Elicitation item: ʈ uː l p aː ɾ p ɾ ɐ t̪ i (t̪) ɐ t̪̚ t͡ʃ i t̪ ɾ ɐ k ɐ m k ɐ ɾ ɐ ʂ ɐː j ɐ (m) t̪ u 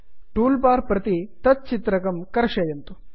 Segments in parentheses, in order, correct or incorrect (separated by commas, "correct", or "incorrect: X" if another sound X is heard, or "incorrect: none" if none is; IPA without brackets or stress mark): correct, incorrect: n